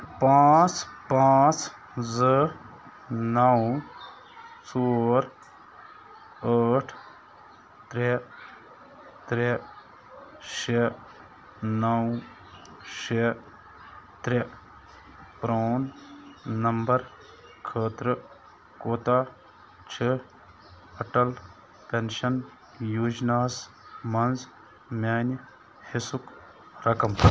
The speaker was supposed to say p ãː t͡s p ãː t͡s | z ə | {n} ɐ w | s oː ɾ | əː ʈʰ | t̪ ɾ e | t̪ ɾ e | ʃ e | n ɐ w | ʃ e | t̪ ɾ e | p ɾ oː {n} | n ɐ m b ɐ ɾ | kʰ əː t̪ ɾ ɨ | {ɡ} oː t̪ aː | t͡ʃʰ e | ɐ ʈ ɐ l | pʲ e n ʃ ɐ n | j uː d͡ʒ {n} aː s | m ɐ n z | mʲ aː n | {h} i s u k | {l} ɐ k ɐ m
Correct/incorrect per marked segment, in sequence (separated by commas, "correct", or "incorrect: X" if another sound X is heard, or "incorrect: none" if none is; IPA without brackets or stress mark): correct, correct, incorrect: k, correct, correct, incorrect: ɾ